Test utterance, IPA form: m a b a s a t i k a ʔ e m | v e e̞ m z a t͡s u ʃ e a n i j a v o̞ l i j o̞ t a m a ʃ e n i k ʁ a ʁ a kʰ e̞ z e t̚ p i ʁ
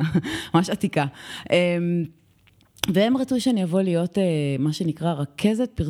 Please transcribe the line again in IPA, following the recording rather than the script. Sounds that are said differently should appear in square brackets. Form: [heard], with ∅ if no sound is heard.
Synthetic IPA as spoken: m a [m] a [ʃ] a t i k a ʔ e m | v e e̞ m [ʁ] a t͡s u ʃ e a n i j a v o̞ l i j o̞ t [e] m a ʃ e n i k ʁ a ʁ a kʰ e̞ z e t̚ p i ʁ